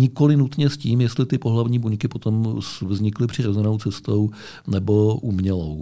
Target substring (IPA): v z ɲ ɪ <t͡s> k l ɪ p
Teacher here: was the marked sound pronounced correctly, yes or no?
no